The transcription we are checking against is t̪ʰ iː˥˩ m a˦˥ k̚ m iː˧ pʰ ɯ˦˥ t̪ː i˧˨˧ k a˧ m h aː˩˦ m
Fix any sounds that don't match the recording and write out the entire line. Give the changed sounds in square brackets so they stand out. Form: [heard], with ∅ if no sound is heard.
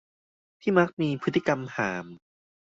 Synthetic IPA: t̪ʰ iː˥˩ m a˦˥ k̚ m iː˧ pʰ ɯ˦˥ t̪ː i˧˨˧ k a˧ m h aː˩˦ m